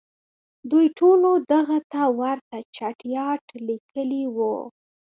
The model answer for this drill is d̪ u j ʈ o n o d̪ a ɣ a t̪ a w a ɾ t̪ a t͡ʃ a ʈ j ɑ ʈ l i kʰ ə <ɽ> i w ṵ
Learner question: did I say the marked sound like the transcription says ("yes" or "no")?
no